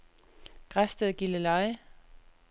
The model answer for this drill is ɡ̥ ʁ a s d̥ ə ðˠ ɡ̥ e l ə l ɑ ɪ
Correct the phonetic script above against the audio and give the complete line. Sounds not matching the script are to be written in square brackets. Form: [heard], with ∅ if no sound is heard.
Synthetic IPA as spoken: ɡ̥ ʁ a s d̥ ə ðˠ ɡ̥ [i] l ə l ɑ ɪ